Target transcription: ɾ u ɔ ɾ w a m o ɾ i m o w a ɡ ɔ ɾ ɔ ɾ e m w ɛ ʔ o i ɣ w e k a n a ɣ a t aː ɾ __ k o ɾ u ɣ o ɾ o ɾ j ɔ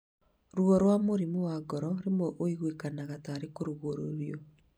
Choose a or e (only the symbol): e